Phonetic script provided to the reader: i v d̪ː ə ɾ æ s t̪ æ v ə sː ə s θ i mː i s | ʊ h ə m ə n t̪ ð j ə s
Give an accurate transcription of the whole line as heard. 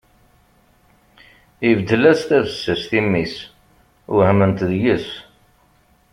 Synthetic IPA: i v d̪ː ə l æ s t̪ æ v ə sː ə s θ i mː i s | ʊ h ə m ə n t̪ ð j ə s